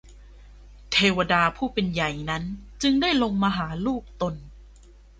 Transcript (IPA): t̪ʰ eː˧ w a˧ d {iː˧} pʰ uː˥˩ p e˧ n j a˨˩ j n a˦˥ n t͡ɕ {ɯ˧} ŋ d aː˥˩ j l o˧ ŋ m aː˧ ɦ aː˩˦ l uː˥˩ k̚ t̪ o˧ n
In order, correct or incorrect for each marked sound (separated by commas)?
incorrect, correct